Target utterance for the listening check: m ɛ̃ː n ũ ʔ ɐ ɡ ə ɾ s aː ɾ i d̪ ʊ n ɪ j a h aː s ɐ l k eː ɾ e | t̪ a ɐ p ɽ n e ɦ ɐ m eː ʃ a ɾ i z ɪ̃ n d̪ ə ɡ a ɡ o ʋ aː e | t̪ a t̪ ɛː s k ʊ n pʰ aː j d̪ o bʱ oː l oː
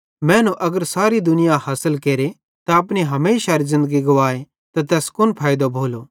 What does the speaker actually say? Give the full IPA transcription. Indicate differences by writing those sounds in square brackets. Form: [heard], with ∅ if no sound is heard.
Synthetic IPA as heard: m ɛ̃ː n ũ ʔ ɐ ɡ ə ɾ s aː ɾ i d̪ ʊ n ɪ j a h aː s [ə] l k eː ɾ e | t̪ a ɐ p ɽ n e ɦ ɐ m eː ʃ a ɾ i z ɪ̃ n d̪ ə ɡ [i] ɡ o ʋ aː e | t̪ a t̪ ɛː s k ʊ n pʰ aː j d̪ o bʱ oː l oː